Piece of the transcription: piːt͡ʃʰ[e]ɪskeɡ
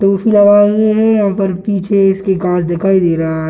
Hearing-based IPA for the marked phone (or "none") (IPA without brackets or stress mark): e